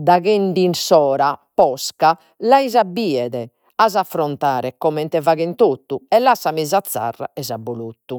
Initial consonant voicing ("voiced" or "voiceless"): voiced